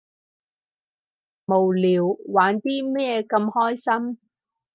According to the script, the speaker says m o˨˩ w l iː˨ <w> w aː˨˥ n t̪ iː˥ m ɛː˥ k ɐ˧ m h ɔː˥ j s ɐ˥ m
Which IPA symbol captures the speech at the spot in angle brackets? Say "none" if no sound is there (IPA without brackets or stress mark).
w